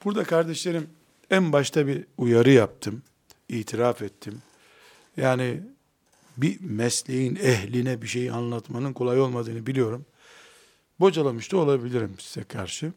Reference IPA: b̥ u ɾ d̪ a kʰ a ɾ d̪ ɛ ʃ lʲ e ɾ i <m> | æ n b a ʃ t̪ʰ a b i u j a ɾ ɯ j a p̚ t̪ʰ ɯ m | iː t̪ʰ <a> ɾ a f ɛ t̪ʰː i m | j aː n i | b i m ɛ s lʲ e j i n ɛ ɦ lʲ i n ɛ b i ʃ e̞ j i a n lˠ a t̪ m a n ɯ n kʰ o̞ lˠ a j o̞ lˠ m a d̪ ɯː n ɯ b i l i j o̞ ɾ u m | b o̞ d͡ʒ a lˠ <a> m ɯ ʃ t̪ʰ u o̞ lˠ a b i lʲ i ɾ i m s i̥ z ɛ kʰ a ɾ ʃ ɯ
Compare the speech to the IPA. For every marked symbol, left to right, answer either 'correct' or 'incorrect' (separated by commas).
correct, incorrect, correct